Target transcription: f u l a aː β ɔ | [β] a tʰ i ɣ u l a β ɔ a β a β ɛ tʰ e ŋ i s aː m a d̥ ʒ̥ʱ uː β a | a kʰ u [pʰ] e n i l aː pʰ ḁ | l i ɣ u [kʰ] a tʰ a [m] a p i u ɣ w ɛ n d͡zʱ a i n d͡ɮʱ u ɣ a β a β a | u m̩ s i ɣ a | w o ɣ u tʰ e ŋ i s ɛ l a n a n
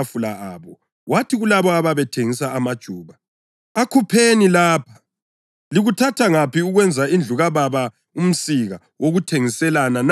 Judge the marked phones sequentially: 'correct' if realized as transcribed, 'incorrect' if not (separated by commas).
incorrect, correct, incorrect, incorrect